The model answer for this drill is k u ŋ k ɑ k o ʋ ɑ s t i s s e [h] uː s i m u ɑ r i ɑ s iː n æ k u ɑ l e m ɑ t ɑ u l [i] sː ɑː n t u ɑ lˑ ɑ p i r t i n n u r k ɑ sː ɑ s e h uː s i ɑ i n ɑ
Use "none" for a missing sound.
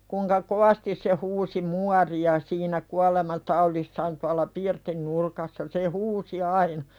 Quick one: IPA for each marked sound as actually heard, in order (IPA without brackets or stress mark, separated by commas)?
h, i